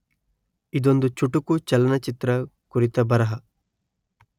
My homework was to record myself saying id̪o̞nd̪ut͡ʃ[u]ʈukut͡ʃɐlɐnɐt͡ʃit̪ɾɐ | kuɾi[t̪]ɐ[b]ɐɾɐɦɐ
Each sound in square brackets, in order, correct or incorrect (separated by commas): correct, correct, correct